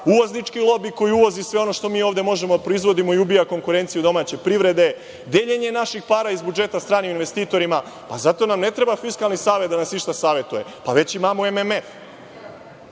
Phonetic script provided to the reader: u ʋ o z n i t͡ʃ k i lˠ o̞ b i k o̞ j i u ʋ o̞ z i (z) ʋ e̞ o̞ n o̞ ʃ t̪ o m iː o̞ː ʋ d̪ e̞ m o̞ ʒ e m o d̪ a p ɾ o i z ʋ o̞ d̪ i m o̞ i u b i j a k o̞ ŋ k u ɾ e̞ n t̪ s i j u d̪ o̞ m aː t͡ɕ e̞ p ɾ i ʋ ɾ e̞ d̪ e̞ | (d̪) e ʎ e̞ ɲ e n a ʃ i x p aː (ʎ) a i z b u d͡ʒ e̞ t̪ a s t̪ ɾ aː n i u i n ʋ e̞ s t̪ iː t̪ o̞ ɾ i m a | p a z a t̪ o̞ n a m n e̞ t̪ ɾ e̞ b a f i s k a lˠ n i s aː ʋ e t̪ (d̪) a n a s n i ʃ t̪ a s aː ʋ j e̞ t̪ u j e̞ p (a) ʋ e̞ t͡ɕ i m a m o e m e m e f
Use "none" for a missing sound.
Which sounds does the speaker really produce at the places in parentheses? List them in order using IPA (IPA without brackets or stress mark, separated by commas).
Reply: s, d̪, ɾ, d̪, a